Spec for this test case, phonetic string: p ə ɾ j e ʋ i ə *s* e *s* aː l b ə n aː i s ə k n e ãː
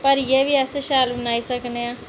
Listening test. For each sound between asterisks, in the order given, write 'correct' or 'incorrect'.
correct, incorrect: ʃ

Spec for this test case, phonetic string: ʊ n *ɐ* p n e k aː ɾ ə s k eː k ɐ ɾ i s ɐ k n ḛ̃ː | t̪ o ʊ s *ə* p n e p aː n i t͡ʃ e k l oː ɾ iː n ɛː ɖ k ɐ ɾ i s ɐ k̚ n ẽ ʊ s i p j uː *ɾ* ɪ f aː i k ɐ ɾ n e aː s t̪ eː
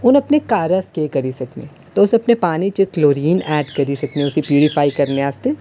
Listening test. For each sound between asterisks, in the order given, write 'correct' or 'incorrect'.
correct, incorrect: ɐ, correct

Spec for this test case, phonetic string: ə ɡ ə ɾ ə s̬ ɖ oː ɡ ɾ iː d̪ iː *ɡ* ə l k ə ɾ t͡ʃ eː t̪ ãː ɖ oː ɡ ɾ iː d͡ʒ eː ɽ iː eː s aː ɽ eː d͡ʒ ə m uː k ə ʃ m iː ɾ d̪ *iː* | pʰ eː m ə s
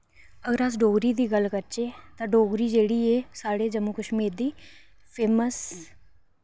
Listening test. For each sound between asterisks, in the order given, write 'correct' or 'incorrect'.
correct, correct

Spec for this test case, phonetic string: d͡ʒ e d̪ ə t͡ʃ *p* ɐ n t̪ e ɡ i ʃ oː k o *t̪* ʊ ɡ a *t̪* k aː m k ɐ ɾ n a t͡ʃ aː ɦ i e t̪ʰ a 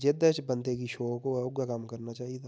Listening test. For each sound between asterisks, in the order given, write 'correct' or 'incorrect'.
incorrect: b, incorrect: none, incorrect: none

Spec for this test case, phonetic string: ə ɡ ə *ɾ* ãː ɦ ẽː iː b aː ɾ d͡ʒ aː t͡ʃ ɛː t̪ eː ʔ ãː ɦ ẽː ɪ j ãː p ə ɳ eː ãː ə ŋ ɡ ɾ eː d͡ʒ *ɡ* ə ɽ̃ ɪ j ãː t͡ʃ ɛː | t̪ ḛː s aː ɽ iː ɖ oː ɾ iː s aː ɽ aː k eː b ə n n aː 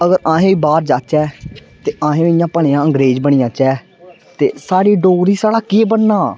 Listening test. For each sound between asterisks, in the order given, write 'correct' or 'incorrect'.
correct, incorrect: b

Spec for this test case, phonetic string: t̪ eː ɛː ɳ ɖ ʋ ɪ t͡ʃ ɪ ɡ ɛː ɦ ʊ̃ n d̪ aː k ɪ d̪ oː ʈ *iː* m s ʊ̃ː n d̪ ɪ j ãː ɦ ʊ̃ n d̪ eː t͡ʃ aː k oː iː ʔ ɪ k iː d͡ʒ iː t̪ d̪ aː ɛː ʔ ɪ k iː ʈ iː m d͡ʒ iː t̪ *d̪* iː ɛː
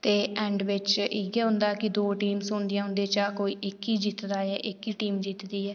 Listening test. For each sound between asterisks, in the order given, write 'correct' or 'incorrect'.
correct, correct

